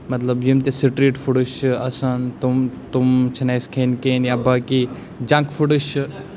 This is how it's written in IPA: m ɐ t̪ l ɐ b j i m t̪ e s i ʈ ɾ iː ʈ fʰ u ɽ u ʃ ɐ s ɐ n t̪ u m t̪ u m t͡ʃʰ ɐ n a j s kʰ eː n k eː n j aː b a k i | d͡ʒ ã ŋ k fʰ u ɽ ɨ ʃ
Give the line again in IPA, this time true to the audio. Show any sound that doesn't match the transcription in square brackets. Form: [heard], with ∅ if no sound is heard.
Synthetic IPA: m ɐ t̪ l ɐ b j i m t̪ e s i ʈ ɾ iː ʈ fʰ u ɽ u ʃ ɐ s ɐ n t̪ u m t̪ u m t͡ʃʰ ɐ n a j s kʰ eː n k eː n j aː b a k i | d͡ʒ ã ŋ k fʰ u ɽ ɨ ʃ

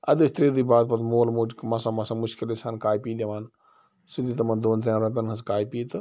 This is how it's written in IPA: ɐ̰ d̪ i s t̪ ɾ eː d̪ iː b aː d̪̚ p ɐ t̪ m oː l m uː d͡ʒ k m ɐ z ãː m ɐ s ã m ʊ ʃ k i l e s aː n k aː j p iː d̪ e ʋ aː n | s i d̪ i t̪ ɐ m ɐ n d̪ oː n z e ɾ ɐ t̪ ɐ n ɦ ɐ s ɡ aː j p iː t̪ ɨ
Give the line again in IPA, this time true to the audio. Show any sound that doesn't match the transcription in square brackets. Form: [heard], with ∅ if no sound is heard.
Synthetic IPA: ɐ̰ d̪ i s t̪ ɾ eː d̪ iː b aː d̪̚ p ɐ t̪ m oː l m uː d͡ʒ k m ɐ [s] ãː m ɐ s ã m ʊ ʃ k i l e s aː n k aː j p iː d̪ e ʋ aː n | s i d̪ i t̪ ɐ m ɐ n d̪ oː n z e ɾ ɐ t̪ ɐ n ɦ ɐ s [k] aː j p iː t̪ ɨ

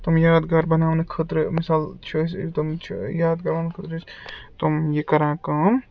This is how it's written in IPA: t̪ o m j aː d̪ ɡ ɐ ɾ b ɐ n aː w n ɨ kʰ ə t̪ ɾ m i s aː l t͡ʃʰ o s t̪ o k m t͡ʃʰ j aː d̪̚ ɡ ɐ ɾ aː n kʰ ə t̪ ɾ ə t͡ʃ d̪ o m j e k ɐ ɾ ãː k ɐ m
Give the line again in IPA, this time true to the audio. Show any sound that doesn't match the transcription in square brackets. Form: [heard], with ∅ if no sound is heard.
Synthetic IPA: t̪ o m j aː d̪ ɡ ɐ ɾ b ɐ n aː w n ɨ kʰ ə t̪ ɾ m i s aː l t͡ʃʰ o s t̪ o [∅] m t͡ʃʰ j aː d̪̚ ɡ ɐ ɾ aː n kʰ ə t̪ ɾ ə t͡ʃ [t̪] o m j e k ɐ ɾ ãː k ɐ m

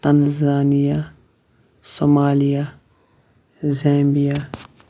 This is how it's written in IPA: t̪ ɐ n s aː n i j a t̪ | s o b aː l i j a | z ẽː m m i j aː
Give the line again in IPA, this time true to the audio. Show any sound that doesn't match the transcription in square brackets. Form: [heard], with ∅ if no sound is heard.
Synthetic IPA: t̪ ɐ n [z] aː n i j a [∅] | s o [m] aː l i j a | z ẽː m [b] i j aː

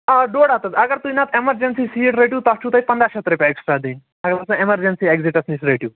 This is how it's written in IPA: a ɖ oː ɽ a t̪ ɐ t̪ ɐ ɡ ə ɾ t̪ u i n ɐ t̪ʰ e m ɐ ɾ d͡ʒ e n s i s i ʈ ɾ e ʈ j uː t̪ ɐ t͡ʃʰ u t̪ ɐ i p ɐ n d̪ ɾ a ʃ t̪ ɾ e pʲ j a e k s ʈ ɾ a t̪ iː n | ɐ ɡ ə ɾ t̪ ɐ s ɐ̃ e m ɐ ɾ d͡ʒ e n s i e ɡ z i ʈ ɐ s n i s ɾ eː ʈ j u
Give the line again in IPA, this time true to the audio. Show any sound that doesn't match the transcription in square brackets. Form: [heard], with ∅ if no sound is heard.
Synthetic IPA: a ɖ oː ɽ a t̪ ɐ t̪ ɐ ɡ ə ɾ t̪ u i n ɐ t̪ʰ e m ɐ ɾ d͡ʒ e n s i s i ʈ ɾ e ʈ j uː t̪ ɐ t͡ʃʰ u t̪ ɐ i p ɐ n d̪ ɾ a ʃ t̪ ɾ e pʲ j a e k s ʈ ɾ a [d̪] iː n | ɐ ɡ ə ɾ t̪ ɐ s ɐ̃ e m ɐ ɾ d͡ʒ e n s i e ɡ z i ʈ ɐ s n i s ɾ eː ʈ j u

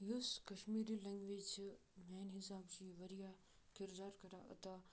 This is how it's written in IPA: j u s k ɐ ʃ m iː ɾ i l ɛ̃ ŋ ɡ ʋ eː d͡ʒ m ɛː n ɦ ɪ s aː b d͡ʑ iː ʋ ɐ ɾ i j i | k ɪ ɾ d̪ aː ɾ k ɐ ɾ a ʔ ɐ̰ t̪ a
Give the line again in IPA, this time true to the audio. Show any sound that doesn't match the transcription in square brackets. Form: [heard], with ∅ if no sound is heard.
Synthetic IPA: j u s k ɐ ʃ m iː ɾ i l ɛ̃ ŋ ɡ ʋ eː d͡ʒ m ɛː n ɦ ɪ s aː b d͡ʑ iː ʋ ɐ ɾ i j [a] | k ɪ ɾ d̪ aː ɾ k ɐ ɾ a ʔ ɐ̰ t̪ a

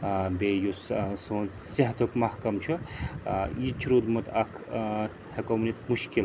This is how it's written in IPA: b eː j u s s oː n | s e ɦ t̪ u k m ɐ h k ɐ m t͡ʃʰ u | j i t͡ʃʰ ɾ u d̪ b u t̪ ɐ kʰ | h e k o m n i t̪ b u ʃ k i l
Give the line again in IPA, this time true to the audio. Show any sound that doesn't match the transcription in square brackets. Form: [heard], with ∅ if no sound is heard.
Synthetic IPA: b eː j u s s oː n | s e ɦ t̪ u k m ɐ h k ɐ m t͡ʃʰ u | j i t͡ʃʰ ɾ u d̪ [m] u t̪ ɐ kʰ | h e k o m n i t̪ [m] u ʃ k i l

